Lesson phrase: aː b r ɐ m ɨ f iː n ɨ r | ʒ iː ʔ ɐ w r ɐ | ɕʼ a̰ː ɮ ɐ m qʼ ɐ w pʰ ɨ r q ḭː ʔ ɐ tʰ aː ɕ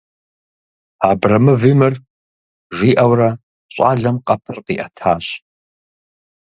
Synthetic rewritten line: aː b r ɐ m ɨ v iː m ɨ r | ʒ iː ʔ ɐ w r ɐ | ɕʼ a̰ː ɮ ɐ m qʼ ɐ pʰ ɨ r q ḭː ʔ ɐ tʰ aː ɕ